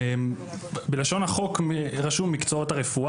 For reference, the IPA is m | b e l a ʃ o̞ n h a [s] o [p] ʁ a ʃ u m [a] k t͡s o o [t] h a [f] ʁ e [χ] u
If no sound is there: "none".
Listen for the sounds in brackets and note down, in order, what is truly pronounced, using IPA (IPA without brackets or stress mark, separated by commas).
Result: χ, k, i, t, none, f